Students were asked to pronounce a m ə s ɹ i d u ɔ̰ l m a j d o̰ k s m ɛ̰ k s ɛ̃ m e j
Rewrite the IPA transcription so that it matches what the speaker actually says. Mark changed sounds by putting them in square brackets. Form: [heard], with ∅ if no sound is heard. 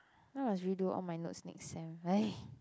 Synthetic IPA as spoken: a m [a] s ɹ i d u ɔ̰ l m a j [n] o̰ [t] s [n] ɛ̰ k s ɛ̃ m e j